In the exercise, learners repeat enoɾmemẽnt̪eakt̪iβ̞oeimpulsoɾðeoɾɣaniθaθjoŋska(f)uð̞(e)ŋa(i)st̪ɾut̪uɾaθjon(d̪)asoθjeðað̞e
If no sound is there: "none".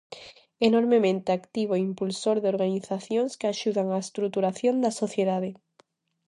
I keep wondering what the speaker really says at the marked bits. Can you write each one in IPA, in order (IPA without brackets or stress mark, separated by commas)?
ʃ, a, e, d̪